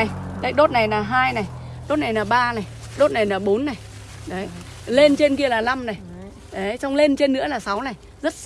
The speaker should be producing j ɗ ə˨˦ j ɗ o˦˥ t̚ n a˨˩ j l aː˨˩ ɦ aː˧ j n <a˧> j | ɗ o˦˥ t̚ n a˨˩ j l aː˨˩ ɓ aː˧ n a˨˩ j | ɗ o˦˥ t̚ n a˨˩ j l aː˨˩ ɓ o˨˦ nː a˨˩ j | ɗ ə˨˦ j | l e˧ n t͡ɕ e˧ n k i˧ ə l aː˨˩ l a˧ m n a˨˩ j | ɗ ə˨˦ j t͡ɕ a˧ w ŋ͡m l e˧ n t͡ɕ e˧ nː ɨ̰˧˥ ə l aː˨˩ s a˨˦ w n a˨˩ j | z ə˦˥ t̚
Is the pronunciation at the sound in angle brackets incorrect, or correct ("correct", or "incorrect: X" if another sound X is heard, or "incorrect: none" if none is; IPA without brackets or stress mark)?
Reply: incorrect: a˨˩